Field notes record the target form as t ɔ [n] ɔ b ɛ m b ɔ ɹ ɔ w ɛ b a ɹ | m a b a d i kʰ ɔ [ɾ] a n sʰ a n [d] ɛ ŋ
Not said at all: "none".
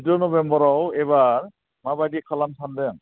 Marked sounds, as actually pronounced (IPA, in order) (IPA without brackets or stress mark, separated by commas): n, l, d